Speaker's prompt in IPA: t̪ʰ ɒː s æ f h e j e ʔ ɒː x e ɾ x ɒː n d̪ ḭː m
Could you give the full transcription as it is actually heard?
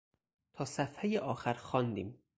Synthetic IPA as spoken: t̪ʰ ɒː s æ f h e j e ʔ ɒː x æ ɾ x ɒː n d̪ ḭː m